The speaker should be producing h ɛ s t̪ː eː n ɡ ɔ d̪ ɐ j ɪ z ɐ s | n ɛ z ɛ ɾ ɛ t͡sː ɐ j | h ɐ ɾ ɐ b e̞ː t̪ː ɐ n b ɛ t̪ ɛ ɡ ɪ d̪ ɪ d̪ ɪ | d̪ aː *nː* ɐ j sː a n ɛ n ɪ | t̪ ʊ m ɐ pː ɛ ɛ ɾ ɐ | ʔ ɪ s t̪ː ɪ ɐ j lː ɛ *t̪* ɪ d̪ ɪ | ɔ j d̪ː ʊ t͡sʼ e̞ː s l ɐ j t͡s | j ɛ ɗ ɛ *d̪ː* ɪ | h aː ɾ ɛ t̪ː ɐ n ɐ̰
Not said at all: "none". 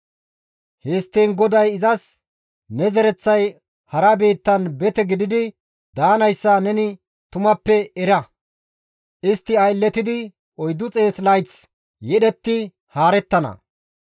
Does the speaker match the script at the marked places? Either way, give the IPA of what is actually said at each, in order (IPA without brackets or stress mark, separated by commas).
n, t̪, t̪ː